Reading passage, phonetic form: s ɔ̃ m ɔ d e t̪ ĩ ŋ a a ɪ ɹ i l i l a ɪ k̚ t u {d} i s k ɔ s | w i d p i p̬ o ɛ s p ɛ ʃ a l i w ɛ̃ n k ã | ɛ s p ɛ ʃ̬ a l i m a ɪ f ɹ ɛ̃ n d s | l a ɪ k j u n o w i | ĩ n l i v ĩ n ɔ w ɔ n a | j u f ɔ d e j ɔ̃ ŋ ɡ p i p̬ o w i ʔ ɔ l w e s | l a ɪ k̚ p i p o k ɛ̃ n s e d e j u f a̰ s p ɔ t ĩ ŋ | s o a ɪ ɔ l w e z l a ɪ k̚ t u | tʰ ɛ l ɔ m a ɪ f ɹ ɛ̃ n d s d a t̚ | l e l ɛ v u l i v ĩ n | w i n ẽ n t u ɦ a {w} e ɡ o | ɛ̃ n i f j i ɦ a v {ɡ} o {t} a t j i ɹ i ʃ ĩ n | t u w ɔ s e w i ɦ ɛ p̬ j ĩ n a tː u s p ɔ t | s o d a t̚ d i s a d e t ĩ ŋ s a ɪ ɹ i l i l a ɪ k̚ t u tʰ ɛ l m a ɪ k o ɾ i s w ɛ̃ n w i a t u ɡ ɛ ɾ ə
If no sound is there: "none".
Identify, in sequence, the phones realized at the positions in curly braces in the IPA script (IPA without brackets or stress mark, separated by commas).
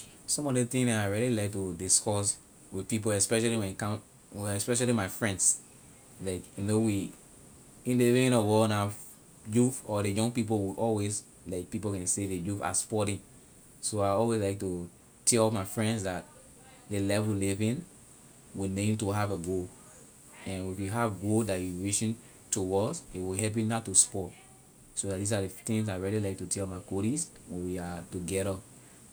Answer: d, v, ɡ, d